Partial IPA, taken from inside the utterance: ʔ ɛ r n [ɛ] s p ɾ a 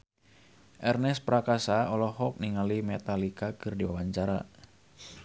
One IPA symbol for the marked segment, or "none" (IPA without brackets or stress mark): ɛ